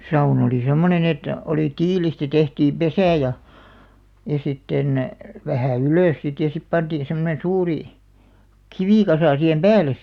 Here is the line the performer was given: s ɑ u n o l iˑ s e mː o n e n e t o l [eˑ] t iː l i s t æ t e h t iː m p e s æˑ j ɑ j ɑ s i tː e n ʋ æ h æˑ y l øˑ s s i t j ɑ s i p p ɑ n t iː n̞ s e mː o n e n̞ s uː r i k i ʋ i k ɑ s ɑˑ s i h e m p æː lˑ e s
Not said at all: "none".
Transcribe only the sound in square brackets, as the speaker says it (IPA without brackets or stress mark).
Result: iˑ